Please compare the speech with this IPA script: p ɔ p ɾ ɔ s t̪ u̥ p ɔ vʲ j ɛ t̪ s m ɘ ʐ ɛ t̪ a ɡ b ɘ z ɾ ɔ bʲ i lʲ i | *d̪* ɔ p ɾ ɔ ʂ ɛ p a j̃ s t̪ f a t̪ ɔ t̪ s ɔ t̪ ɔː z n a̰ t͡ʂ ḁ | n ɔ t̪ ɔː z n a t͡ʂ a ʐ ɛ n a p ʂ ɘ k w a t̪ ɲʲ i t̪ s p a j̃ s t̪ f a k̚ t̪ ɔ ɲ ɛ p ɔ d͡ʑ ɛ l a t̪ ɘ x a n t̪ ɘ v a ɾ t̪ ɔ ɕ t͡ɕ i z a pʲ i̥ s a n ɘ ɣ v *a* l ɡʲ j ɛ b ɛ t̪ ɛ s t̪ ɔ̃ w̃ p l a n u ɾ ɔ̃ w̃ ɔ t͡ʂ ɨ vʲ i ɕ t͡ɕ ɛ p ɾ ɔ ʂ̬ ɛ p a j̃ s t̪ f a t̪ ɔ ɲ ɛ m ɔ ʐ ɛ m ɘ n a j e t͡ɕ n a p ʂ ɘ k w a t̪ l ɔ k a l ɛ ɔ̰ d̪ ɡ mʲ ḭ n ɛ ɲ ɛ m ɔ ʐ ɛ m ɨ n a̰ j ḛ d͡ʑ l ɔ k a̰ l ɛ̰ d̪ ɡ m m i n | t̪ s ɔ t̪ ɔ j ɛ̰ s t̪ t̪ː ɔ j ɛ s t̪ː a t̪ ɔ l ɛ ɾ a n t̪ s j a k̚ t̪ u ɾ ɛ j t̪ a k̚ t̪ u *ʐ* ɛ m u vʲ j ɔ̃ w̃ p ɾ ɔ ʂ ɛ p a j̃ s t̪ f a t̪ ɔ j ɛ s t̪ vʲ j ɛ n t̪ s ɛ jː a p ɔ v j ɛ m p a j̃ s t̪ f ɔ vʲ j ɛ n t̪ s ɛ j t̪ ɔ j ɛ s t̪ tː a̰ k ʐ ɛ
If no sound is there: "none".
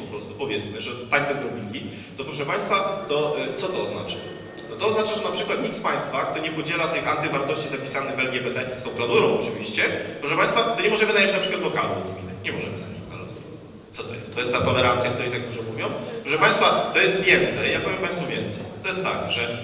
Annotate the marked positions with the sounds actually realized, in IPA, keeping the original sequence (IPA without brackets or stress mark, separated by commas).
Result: t̪, ɛ, ʐ